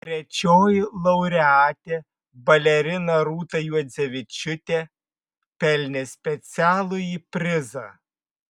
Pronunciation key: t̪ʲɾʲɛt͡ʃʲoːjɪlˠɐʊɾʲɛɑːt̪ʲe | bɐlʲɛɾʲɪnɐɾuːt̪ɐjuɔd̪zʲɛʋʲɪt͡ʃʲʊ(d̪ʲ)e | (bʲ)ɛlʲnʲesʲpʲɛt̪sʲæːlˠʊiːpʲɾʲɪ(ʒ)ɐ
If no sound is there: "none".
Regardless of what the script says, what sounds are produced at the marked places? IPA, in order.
t̪ʲ, pʲ, z

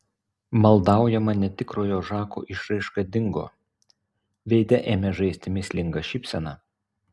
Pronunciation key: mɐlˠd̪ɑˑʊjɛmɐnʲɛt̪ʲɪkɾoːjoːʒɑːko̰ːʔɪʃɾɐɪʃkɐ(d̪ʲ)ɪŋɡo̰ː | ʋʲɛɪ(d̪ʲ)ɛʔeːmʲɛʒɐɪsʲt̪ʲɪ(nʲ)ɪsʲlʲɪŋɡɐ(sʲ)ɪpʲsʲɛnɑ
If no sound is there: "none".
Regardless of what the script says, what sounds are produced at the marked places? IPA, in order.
d̪ʲ, d̪ʲ, mʲ, ʃʲ

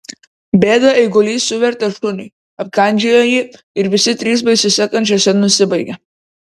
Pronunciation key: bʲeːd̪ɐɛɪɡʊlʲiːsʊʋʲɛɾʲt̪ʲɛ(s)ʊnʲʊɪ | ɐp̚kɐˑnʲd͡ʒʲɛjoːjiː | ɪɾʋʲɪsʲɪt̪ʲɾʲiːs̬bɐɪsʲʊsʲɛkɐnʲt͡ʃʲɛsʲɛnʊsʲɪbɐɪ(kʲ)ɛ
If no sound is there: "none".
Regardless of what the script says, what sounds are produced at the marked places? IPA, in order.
ʃ, ɡʲ

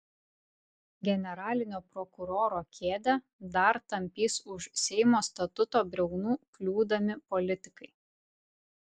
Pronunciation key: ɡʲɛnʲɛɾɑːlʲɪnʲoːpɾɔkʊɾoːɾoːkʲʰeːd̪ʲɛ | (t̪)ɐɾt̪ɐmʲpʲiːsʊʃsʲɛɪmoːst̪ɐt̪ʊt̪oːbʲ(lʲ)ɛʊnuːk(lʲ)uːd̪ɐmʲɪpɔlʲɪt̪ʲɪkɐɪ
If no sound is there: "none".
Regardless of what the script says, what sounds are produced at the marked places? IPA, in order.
d̪, ɾʲ, lʲ

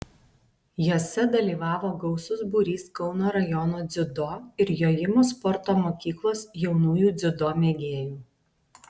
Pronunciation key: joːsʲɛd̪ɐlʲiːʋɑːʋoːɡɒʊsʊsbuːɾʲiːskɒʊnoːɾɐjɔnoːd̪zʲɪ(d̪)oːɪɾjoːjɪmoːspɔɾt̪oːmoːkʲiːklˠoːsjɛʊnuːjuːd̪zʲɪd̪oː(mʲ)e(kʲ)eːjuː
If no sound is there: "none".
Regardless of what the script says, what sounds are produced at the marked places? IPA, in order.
d̪, mʲ, ɡʲ

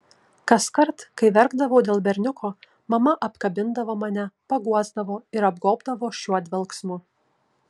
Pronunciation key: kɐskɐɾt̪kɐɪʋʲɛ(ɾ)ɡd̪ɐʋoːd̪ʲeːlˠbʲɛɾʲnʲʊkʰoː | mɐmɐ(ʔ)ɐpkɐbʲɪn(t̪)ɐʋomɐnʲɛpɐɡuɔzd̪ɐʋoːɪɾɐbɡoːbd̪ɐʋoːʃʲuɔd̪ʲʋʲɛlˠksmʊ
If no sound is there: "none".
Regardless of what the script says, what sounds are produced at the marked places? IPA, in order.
ɾ, ʔ, d̪

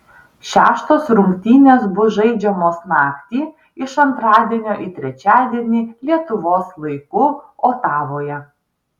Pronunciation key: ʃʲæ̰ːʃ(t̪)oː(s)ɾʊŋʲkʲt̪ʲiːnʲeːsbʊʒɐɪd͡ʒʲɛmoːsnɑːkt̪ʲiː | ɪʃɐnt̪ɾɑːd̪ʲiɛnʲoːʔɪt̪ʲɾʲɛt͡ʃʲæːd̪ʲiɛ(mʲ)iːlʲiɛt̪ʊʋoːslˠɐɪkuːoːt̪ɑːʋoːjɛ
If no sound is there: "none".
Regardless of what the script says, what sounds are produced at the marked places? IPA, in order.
t̪, s, nʲ

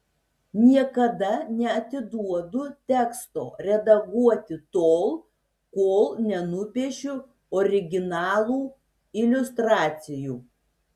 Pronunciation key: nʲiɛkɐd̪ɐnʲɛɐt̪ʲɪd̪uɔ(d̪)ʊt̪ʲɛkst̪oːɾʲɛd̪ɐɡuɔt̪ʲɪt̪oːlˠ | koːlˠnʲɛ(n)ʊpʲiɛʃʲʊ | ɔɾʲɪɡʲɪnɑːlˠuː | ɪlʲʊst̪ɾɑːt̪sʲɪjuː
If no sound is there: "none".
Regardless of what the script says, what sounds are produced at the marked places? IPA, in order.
d̪, n

